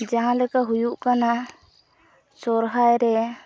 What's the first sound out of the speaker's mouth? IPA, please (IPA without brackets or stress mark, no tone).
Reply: d͡ʒ